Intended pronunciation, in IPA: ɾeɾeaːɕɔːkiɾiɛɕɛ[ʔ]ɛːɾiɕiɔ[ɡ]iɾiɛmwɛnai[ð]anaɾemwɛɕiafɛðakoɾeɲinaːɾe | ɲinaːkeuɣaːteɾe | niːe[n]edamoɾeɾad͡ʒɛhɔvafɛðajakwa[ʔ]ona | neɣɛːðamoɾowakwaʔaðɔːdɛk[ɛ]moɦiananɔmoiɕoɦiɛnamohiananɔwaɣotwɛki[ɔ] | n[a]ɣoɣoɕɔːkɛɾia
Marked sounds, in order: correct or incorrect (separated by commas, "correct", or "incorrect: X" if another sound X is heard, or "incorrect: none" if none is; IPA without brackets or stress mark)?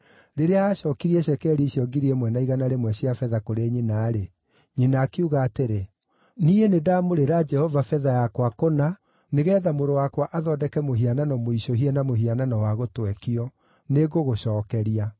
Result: incorrect: k, correct, incorrect: ɣ, correct, incorrect: k, correct, correct, incorrect: e